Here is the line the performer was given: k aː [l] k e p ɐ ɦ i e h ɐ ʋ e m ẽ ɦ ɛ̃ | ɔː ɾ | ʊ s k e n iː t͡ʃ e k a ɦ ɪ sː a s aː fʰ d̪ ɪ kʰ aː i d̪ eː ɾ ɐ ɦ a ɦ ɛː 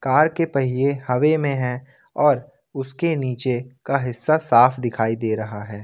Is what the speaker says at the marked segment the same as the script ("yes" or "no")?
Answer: no